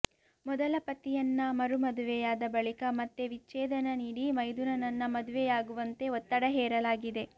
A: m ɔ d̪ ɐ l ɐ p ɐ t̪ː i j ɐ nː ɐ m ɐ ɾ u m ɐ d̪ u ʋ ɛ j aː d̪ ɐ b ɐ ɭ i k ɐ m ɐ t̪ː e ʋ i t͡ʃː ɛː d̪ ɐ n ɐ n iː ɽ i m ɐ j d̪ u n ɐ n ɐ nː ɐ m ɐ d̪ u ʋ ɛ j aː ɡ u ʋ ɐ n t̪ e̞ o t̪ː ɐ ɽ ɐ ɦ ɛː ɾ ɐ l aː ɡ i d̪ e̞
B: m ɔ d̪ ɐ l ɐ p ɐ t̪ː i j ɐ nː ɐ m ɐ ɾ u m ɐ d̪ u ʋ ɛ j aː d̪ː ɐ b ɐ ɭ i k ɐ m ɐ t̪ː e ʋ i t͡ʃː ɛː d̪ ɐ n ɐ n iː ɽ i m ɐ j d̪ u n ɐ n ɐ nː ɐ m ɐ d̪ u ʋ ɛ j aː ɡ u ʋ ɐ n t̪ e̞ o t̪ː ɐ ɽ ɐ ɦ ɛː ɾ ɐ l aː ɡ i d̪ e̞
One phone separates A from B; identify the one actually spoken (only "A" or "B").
A